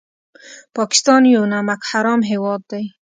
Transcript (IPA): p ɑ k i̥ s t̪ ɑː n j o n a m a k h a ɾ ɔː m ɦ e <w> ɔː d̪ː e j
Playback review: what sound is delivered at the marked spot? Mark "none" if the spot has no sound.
w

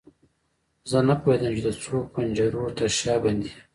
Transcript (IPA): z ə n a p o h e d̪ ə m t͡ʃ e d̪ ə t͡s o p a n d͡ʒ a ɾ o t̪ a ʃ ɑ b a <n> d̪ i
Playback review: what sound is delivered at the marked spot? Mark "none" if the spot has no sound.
n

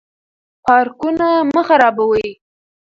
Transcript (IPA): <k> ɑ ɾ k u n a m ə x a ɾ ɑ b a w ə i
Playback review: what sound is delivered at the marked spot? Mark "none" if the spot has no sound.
p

